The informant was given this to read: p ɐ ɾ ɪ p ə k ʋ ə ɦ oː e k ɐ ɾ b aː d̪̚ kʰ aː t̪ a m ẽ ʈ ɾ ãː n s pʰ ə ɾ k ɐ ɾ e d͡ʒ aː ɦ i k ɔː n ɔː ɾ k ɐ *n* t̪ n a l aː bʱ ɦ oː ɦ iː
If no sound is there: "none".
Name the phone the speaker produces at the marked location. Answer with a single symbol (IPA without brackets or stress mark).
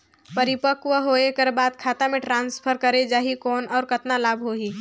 none